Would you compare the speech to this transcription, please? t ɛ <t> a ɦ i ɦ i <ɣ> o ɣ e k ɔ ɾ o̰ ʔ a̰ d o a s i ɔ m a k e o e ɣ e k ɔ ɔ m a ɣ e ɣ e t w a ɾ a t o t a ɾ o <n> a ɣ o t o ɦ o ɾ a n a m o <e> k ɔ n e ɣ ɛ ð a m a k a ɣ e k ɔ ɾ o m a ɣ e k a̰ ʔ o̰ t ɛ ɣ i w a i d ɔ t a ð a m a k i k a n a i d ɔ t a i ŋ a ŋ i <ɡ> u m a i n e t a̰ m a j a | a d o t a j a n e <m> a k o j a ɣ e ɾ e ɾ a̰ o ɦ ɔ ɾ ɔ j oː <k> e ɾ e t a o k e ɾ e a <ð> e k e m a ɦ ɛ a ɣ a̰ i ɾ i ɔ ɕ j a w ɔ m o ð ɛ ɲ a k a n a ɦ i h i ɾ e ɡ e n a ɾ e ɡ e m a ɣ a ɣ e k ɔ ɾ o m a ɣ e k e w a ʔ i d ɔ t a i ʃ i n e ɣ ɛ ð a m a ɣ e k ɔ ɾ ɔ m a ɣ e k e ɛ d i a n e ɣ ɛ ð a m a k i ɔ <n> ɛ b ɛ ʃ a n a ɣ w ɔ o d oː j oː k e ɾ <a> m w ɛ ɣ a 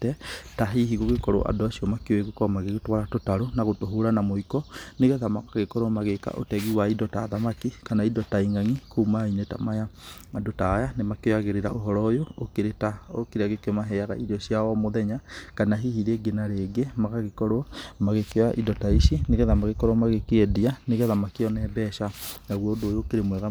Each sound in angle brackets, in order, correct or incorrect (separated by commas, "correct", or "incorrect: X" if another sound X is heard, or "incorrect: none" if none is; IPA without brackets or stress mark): correct, correct, correct, incorrect: i, incorrect: k, correct, correct, incorrect: ɣ, correct, incorrect: e